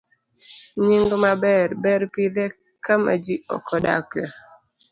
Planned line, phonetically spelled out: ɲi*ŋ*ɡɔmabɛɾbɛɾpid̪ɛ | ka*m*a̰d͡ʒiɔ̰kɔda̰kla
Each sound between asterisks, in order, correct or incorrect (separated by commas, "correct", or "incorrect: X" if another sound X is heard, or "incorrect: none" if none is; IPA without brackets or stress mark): correct, correct